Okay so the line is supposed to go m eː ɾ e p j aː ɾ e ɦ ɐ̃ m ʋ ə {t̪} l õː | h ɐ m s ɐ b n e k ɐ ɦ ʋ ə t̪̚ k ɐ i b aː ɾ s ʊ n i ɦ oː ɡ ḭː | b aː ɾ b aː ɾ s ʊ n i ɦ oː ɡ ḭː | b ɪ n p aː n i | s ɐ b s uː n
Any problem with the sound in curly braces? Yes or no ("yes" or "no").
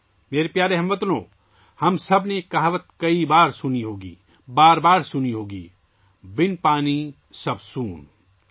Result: no